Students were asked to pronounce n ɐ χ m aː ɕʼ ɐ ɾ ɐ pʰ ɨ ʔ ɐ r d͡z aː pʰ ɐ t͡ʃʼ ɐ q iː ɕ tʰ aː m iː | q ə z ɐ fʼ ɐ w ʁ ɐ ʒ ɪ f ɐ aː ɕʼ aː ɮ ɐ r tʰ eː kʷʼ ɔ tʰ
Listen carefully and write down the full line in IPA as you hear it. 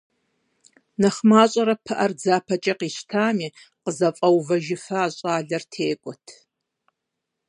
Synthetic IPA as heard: n ɐ χ m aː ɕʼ ɐ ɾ ɐ pʰ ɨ ʔ ɐ r d͡z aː pʰ ɐ t͡ʃʼ ɐ q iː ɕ tʰ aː m iː | q ə z ɐ fʼ ɐ w v ɐ ʒ ɪ f ɐ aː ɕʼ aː ɮ ɐ r tʰ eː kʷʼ ɔ tʰ